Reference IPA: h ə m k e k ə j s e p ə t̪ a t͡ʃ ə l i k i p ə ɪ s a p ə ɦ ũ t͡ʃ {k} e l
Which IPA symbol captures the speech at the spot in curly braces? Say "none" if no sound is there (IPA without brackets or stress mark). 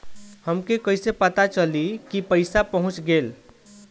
ɡ